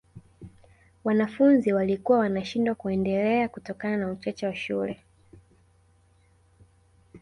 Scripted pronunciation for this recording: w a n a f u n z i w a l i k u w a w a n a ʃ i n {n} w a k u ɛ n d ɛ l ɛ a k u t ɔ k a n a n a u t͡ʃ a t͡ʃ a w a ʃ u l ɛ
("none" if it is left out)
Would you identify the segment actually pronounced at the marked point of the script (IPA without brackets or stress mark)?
d